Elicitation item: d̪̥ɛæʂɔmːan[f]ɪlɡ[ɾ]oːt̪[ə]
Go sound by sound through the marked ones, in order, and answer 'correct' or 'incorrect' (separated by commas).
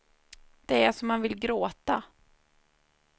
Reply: incorrect, correct, incorrect